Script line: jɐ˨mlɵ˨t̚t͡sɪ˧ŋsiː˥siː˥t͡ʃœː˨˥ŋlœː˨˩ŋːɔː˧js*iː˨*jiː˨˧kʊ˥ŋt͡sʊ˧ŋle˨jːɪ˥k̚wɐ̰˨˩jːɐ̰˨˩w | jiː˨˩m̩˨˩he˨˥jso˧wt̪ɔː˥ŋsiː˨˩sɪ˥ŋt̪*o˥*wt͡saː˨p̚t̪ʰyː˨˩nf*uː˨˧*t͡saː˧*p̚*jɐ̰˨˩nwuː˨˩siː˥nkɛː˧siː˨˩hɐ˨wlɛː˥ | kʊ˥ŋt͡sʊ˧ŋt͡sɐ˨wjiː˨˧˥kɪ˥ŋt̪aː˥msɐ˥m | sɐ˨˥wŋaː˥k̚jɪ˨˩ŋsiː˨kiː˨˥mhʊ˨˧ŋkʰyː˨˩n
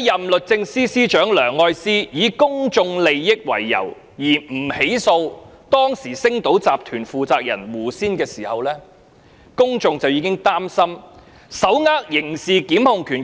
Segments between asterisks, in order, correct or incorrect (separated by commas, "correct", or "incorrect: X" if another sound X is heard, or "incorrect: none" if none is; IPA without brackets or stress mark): incorrect: iː˥, incorrect: o˨˥, correct, incorrect: k̚